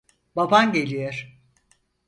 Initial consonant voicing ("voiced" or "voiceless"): voiced